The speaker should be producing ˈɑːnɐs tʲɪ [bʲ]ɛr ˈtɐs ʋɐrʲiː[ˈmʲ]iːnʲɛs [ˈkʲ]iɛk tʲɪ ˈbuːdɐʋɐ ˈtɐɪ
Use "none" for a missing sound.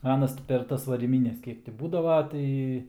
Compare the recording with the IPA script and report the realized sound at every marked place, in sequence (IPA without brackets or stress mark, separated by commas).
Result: pʲ, mʲ, kʲ